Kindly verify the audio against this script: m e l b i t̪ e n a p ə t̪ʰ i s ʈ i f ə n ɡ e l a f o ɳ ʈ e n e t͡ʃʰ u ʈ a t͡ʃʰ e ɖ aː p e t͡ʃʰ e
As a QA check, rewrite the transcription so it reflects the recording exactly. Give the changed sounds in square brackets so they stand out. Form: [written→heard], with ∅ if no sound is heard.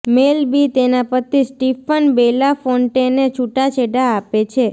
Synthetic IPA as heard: m e l b i t̪ e n a p ə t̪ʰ i s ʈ i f ə n [ɡ→b] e l a f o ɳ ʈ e n e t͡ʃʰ u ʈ a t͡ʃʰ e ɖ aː p e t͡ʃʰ e